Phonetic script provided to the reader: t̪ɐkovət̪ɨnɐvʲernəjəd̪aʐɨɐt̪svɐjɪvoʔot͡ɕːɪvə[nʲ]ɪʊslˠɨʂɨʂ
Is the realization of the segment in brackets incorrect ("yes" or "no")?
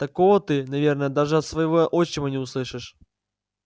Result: no